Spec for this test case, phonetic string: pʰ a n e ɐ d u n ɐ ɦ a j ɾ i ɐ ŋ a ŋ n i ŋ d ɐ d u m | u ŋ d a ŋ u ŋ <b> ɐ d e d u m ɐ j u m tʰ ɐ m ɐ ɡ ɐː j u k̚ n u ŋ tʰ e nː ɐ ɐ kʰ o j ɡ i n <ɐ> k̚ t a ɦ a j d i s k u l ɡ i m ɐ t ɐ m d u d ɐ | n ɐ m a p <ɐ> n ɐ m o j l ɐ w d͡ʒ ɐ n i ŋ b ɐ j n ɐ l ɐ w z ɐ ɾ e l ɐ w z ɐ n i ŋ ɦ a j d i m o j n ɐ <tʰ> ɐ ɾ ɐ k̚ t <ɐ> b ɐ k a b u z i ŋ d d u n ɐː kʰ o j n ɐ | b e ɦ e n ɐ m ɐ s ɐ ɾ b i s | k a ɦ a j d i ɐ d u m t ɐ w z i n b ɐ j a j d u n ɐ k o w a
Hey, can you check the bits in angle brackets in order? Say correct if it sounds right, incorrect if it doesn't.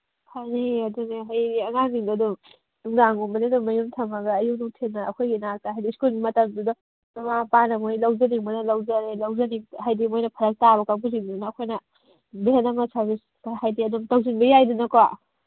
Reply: correct, incorrect: a, incorrect: a, incorrect: pʰ, incorrect: a

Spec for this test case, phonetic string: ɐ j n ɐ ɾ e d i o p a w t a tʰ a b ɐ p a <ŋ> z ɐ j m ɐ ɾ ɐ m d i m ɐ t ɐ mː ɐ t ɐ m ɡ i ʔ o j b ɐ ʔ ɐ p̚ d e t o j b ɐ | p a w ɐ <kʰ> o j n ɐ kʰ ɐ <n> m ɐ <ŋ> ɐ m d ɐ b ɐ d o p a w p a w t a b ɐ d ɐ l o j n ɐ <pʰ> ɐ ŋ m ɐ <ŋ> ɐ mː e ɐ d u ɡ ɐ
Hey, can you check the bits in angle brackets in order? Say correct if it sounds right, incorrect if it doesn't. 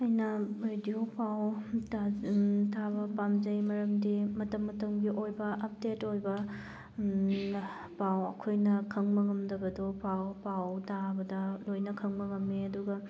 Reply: incorrect: m, correct, incorrect: ŋ, correct, incorrect: kʰ, correct

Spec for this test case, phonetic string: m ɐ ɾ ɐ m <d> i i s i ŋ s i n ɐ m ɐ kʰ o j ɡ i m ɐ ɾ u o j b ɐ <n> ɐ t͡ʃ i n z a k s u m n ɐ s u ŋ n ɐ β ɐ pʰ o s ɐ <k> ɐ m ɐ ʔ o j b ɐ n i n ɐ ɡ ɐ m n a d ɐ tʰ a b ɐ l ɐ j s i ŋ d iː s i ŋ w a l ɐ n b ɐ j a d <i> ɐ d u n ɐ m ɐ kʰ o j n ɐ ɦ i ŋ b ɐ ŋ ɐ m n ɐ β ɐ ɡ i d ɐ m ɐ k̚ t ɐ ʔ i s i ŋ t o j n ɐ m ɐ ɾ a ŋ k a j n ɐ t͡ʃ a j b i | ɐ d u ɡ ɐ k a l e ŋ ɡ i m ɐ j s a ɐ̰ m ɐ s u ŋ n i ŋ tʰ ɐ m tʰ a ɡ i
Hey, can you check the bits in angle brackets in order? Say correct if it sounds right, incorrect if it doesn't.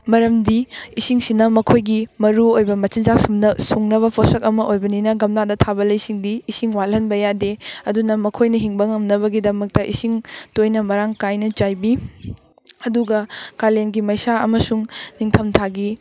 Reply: correct, incorrect: m, correct, incorrect: e

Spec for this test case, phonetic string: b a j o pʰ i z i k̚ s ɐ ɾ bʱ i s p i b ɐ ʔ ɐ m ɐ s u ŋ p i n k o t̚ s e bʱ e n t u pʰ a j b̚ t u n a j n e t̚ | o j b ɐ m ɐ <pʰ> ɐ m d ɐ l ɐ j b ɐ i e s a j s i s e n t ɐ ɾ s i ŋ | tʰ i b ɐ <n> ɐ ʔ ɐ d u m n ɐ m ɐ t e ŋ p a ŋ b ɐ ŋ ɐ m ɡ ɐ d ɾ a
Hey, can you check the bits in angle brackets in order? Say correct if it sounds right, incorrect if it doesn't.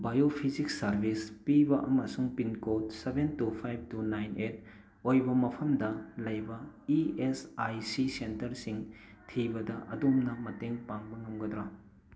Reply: correct, incorrect: d

